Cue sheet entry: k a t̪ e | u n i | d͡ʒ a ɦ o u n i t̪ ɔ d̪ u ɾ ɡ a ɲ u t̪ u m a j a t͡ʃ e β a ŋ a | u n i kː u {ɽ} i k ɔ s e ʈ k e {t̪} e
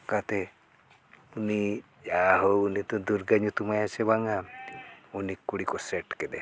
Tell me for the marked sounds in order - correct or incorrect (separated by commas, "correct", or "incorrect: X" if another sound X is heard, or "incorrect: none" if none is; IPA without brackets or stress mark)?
correct, incorrect: d̪